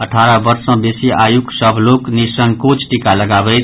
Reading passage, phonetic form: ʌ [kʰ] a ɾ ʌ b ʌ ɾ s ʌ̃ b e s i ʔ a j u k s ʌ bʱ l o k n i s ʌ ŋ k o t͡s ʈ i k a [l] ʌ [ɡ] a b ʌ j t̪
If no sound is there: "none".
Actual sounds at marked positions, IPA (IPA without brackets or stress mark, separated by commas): ʈʰ, l, ɡ